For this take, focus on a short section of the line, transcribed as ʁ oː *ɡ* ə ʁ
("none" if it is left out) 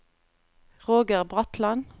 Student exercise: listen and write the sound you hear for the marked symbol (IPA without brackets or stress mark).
ɡ